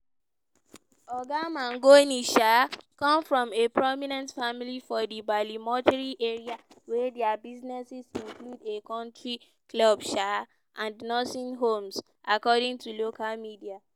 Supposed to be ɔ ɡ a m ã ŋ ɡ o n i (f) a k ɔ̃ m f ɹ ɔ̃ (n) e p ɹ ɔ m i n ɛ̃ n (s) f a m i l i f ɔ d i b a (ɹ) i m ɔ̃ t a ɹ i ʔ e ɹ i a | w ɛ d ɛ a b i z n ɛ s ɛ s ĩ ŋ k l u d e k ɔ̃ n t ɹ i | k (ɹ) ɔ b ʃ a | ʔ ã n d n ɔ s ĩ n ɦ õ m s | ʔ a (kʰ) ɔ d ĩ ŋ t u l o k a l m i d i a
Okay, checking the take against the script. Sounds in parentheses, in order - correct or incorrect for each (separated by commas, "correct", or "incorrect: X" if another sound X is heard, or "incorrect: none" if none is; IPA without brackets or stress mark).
incorrect: ʃ, incorrect: m, incorrect: t, incorrect: l, incorrect: l, incorrect: k